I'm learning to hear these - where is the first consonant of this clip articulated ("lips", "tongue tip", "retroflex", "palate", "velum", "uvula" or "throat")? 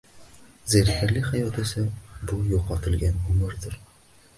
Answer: tongue tip